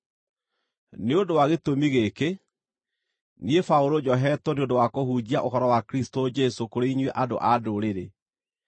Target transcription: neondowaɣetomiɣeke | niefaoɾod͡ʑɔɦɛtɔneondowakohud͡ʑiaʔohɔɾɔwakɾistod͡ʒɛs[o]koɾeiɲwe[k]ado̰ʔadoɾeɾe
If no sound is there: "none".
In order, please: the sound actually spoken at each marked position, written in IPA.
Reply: o, ʔ

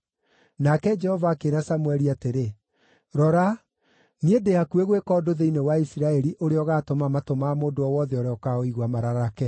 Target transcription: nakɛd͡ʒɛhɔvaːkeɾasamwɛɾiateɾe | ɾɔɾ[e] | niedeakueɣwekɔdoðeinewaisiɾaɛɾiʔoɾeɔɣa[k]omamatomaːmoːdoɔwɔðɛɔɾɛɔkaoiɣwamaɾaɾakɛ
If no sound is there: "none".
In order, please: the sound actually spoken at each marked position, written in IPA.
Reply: a, t

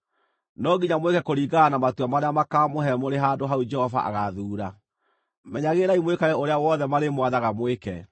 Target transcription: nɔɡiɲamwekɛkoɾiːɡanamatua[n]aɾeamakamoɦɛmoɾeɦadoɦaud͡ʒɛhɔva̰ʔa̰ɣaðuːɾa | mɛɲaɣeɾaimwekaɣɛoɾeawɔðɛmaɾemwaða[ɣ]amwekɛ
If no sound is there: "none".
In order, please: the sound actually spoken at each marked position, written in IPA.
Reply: m, ɣ

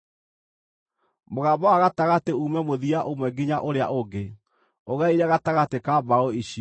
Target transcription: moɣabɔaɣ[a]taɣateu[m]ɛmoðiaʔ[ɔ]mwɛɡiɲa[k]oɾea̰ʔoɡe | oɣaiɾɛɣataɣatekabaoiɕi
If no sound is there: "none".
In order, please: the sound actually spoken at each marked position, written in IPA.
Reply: a, m, o, ʔ

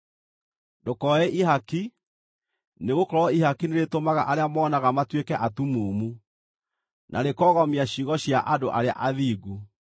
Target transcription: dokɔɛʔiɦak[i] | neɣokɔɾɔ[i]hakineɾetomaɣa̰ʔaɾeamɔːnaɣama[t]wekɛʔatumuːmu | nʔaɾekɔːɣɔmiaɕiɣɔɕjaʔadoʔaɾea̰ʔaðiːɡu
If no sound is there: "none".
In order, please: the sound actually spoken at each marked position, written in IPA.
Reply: i, i, t

